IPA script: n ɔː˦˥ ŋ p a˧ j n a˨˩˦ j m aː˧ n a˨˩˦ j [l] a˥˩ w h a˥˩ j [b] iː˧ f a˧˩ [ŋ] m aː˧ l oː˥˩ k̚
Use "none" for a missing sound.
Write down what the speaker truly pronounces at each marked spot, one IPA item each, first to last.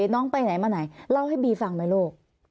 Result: l, b, ŋ

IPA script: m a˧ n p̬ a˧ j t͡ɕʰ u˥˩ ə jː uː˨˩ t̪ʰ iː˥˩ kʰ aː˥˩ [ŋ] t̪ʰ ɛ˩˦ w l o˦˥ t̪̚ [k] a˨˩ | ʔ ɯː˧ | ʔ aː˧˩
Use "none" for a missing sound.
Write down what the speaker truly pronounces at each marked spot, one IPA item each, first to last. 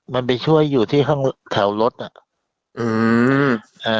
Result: ŋ, ʔ

